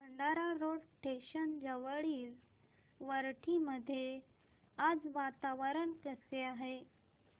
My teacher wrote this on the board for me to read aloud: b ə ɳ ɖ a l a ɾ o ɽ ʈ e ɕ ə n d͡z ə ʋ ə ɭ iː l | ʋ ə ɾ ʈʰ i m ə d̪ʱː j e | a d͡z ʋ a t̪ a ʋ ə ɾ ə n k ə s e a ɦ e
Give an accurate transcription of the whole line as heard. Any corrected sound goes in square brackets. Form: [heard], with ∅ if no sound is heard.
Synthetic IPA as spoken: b ə ɳ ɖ a [ɾ] a ɾ o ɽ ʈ e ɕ ə n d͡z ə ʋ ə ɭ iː l | ʋ ə ɾ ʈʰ i m ə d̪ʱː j e | a d͡z ʋ a t̪ a ʋ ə ɾ ə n k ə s e a ɦ e